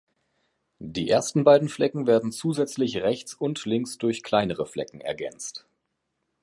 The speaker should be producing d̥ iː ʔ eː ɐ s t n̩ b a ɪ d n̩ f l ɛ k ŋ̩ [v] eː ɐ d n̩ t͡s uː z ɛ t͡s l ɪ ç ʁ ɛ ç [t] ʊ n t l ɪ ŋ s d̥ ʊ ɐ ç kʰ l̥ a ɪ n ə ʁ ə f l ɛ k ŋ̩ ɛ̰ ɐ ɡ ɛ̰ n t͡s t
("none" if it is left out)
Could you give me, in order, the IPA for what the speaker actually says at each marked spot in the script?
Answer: v, t͡s

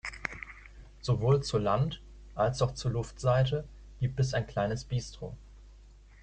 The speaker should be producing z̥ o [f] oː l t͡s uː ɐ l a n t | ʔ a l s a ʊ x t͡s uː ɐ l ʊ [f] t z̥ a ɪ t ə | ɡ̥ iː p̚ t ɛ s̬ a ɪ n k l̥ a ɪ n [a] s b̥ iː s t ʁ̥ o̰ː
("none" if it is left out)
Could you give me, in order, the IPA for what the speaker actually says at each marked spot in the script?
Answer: v, f, ə

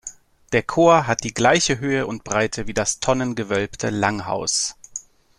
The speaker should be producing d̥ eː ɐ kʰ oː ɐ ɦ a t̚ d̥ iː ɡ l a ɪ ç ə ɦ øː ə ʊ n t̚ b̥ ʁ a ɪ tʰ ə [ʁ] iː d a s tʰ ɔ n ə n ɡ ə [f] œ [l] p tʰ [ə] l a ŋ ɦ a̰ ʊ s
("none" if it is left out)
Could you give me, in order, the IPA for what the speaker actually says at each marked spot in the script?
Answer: v, v, l, ə

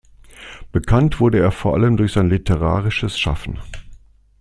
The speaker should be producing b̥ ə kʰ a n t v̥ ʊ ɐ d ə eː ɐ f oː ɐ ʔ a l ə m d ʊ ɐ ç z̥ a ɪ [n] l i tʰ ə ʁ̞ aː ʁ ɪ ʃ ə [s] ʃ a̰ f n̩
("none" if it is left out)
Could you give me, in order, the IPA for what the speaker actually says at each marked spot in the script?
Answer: n, s

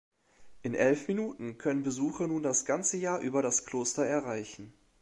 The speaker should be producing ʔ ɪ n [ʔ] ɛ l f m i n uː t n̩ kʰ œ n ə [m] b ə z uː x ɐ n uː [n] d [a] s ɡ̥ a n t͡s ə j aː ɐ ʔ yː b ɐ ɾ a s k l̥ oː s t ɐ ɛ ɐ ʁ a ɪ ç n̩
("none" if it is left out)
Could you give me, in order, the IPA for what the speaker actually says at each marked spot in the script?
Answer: ʔ, n, n, a

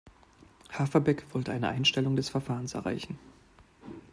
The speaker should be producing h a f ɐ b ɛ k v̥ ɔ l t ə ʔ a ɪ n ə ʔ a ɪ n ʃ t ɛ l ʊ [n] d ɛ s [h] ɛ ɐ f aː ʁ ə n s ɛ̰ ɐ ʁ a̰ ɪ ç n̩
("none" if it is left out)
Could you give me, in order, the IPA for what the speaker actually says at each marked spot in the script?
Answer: ŋ, f

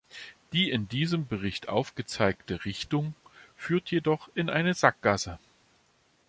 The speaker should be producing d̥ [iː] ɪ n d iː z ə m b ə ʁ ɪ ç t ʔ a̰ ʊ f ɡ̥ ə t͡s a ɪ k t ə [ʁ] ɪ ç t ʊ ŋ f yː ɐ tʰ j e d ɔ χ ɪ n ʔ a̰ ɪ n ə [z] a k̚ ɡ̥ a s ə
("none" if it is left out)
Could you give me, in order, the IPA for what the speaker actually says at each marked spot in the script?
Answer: iː, ʁ, z

